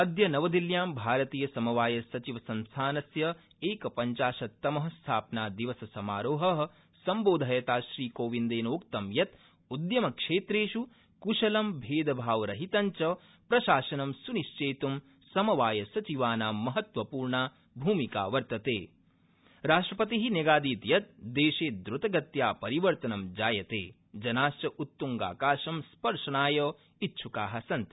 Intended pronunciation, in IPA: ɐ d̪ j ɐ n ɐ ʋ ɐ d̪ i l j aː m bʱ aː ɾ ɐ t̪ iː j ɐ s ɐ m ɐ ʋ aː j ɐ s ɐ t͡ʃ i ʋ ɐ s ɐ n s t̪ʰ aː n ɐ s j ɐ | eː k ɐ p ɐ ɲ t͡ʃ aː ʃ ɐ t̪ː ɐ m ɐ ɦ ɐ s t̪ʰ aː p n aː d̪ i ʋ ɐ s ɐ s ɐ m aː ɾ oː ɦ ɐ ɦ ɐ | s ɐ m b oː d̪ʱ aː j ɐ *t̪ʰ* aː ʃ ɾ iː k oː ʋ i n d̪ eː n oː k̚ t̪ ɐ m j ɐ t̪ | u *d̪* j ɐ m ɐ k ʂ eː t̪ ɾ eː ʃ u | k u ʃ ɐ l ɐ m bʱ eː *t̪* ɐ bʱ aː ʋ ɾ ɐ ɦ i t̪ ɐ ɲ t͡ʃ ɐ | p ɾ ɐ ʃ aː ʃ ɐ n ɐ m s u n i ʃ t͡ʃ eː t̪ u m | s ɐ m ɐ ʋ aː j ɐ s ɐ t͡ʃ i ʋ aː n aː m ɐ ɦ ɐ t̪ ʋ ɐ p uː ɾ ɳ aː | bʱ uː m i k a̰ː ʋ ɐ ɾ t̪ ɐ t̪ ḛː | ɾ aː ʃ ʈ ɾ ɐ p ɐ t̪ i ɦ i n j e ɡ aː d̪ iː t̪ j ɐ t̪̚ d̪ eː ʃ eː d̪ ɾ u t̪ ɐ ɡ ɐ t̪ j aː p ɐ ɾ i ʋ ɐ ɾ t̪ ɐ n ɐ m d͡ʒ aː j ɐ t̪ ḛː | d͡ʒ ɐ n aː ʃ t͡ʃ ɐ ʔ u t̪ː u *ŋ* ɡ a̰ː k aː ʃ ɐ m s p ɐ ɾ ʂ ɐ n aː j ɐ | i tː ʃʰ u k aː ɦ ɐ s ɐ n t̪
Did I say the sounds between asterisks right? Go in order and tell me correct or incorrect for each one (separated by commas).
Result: incorrect, correct, incorrect, correct